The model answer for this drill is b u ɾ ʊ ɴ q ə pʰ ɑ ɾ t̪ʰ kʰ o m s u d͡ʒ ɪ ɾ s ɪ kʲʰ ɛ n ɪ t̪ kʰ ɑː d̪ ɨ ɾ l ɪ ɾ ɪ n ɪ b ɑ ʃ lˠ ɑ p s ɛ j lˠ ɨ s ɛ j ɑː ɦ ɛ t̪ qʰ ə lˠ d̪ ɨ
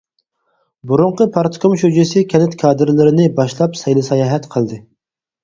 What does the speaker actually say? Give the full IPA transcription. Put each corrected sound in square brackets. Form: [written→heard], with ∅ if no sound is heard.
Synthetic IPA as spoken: b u ɾ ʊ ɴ q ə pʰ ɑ ɾ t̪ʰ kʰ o m [s→ʃ] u d͡ʒ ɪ [ɾ→∅] s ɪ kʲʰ ɛ n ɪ t̪ kʰ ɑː d̪ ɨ ɾ l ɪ ɾ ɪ n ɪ b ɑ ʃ lˠ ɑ p s ɛ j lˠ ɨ s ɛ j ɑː ɦ ɛ t̪ qʰ ə lˠ d̪ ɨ